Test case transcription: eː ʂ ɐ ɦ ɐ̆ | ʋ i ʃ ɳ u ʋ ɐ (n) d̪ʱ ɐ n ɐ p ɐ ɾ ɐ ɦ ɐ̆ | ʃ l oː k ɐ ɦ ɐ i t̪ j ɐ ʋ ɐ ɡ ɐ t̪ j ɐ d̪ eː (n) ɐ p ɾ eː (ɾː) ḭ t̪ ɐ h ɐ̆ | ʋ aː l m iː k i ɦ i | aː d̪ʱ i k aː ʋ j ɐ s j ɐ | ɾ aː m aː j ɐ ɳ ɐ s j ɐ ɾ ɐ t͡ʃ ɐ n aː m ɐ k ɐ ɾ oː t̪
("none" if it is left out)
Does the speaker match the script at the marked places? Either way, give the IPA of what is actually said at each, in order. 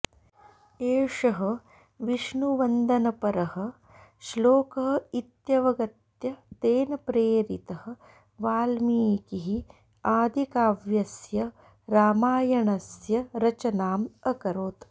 n, n, ɾ

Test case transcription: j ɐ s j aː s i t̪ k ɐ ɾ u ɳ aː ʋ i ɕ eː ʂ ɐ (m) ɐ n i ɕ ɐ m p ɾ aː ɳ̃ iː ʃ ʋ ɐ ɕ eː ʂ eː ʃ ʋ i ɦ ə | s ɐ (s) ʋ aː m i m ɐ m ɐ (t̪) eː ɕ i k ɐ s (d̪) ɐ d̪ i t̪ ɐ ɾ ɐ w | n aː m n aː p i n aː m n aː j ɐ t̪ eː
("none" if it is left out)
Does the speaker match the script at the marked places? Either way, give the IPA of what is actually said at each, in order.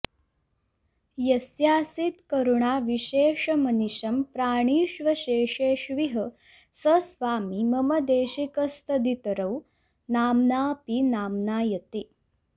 m, s, d̪, t̪

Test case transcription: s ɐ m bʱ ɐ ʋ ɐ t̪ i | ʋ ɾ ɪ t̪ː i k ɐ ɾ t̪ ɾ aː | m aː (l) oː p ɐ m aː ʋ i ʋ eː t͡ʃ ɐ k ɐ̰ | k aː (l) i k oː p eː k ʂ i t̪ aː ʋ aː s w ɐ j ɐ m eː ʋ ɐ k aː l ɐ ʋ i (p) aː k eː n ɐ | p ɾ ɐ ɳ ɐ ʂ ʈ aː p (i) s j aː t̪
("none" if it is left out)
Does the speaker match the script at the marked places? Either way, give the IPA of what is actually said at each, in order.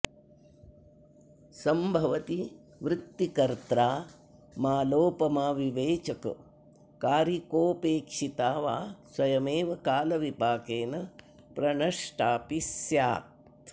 l, ɾ, p, i

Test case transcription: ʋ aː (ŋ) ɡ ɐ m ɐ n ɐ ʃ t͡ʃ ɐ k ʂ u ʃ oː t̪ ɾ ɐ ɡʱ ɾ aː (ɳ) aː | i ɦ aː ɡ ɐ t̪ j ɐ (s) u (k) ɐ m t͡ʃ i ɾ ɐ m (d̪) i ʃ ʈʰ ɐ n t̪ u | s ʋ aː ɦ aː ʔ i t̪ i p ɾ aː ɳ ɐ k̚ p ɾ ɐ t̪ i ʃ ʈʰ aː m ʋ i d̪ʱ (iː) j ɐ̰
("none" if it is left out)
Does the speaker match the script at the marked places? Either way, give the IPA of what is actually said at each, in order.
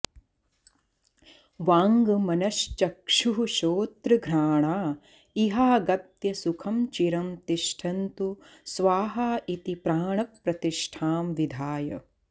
ŋ, ɳ, s, kʰ, t̪, aː

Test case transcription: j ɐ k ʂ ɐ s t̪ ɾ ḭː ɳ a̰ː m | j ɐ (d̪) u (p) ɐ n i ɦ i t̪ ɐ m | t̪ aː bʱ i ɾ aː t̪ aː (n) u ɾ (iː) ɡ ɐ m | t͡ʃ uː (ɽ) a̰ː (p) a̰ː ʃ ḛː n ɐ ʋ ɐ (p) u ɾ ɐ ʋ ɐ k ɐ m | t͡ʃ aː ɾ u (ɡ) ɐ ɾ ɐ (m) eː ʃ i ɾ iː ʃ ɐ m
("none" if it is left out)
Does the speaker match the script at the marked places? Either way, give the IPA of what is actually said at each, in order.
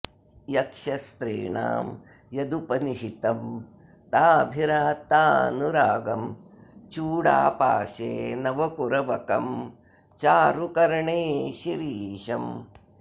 d̪, p, n, aː, ɽ, p, k, k, ɳ

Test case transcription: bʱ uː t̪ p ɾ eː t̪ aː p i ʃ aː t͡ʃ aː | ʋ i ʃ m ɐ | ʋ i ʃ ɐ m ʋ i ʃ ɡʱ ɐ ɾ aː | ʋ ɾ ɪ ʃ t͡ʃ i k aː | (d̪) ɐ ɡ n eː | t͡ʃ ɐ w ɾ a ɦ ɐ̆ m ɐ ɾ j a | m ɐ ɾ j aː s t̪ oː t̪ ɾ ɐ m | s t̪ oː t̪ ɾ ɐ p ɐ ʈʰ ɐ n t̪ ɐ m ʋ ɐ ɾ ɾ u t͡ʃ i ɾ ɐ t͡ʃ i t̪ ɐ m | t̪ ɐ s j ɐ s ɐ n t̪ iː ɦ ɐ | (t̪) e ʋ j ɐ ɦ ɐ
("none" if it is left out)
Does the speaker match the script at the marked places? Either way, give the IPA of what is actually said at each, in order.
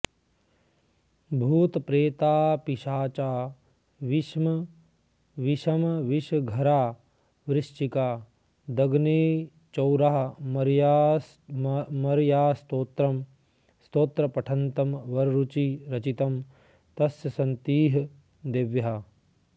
d̪, d̪

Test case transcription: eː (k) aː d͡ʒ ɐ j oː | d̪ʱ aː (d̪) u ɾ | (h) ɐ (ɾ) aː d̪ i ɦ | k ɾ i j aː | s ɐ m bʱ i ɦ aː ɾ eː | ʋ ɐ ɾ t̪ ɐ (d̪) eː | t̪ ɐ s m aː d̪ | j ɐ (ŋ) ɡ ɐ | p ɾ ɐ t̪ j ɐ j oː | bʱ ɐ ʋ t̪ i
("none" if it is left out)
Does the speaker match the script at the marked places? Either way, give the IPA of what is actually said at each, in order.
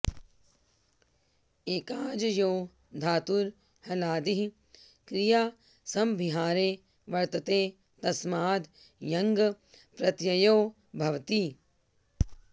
k, t̪, h, l, t̪, ŋ

